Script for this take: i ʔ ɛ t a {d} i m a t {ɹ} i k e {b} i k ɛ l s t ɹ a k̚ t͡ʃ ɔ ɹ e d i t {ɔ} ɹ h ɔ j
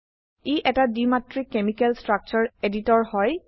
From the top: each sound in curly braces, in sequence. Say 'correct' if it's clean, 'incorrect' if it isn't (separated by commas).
correct, correct, incorrect, correct